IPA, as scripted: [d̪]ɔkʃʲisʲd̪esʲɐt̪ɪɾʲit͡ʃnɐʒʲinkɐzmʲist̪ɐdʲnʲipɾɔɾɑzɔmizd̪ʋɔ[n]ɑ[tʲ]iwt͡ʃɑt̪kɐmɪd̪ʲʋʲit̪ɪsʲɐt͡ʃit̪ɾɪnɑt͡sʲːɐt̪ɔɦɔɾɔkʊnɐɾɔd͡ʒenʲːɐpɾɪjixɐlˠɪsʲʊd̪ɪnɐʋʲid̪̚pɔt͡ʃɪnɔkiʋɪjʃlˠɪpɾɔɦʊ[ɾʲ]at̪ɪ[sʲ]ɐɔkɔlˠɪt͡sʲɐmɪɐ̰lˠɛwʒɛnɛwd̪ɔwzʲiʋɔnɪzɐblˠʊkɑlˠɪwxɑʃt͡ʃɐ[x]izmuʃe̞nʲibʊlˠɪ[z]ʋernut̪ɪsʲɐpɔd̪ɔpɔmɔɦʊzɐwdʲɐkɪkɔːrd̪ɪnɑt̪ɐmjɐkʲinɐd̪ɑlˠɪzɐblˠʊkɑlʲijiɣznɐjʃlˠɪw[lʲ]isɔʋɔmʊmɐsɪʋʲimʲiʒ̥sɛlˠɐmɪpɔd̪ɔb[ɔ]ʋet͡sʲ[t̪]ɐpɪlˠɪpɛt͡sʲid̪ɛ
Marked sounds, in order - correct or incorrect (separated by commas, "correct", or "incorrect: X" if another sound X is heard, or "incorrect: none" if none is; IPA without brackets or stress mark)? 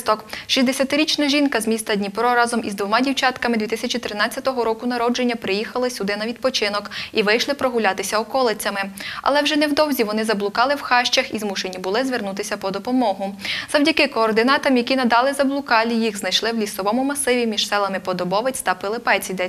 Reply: incorrect: t̪, incorrect: m, incorrect: dʲ, incorrect: lʲ, correct, correct, correct, correct, correct, correct